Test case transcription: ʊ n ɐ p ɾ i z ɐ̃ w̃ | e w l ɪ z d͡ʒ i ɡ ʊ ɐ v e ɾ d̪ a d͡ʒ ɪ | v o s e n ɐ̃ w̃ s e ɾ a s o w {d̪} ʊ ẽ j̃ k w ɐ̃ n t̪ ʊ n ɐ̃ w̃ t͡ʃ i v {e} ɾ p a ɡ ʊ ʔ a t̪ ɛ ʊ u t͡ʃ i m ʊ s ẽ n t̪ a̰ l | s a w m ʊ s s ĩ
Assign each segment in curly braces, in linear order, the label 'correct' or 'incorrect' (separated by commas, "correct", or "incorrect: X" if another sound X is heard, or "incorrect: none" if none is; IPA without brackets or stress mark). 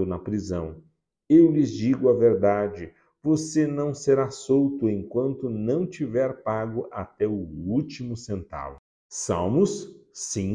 incorrect: t̪, incorrect: ɛ